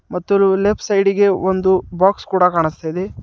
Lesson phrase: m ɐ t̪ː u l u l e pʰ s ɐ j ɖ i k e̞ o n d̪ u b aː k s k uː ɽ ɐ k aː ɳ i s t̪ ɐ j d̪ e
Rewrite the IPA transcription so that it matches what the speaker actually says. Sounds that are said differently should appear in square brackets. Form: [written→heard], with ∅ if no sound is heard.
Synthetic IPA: m ɐ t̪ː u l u l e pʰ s ɐ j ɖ i [k→ɡ] e̞ o n d̪ u b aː k s k uː ɽ ɐ k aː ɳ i s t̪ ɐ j d̪ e